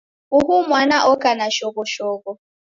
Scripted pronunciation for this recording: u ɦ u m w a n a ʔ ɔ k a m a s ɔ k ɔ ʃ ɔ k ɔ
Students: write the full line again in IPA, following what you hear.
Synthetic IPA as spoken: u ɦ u m w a n a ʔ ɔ k a n a ʃ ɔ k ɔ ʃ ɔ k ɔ

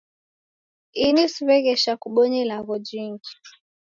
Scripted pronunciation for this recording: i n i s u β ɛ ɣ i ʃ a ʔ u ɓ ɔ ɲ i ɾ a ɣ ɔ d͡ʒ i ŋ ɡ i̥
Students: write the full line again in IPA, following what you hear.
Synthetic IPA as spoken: i n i s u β ɛ ɣ ɛ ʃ a k u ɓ ɔ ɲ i l a ɣ ɔ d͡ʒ i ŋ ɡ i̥

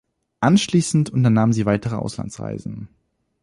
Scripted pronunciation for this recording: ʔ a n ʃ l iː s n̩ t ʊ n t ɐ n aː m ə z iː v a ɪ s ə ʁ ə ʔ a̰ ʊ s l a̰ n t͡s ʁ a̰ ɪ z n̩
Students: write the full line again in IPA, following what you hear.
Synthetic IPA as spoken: ʔ a n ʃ l iː s n̩ t ʊ n t ɐ n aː m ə z iː v a ɪ t ə ʁ ə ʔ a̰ ʊ s l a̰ n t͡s ʁ a̰ ɪ z n̩

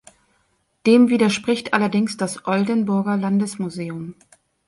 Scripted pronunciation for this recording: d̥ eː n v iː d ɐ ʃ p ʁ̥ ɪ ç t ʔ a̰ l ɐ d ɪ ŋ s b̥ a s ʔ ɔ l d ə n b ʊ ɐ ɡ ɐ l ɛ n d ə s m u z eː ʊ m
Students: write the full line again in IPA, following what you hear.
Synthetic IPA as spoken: d̥ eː m v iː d ɐ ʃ p ʁ̥ ɪ ç t ʔ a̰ l ɐ d ɪ ŋ s d̥ a s ʔ ɔ l d ə n b ʊ ɐ ɡ ɐ l a n d ə s m u z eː ʊ m

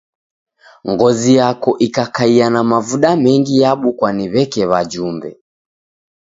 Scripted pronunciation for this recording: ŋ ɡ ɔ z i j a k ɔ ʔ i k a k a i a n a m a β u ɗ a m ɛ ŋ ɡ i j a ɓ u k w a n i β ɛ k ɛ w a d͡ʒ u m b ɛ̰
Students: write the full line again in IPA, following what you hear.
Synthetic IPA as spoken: ŋ ɡ ɔ z i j a k ɔ ʔ i k a k a i a n a m a v u ɗ a m ɛ ŋ ɡ i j a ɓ u k w a n i β ɛ k ɛ β a d͡ʒ u m b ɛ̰

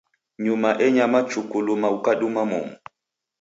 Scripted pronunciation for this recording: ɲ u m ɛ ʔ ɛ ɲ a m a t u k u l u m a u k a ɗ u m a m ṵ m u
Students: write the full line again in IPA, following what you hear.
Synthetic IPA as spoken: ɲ u m a ʔ ɛ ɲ a m a t͡ʃ u k u l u m a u k a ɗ u m a m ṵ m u

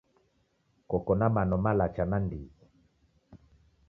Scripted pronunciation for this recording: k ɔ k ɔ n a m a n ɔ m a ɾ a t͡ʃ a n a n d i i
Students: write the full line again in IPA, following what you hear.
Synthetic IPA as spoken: k ɔ k ɔ n a m a n ɔ m a l a t͡ʃ a n a n d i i

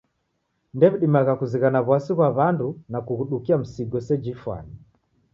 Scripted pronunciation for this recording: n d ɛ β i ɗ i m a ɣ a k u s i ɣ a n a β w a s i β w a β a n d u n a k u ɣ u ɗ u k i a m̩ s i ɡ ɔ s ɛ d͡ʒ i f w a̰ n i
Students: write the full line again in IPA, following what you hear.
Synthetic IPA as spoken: n d ɛ β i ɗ i m a ɣ a k u z i ɣ a n a β w a s i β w a β a n d u n a k u ɣ u ɗ u k i a m̩ s i ɡ ɔ s ɛ d͡ʒ i f w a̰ n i

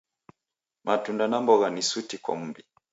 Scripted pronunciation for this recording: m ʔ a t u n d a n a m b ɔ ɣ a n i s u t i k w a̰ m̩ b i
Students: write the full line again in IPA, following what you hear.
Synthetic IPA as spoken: m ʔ a t u n d a n a m b ɔ ɣ a n i s u t i k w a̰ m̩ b i

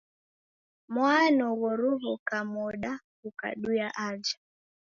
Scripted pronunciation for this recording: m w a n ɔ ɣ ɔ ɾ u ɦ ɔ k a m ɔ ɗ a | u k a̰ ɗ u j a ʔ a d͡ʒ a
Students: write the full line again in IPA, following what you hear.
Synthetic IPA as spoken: m w a n ɔ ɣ ɔ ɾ u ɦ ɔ k a m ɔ ɗ a | u k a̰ ɗ u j a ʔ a d͡ʒ a

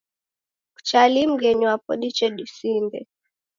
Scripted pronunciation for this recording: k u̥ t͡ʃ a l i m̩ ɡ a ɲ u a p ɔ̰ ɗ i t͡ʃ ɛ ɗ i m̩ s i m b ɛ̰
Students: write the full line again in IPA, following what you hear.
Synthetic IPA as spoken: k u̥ t͡ʃ a l i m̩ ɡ ɛ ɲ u a p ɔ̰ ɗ i t͡ʃ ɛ ɗ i s i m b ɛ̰

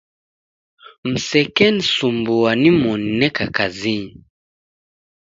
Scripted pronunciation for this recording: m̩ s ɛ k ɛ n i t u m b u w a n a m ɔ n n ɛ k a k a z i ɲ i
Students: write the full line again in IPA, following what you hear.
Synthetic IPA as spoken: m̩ s ɛ k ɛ n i s u m b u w a n i m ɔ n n ɛ k a k a z i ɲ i

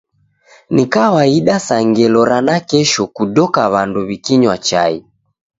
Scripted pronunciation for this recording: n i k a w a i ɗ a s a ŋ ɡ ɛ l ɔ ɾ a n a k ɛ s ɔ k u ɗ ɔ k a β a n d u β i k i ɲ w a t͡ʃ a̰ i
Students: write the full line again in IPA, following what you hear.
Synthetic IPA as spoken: n i k a w a i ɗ a s a ŋ ɡ ɛ l ɔ ɾ a n a k ɛ ʃ ɔ k u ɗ ɔ k a β a n d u β i k i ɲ w a t͡ʃ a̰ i

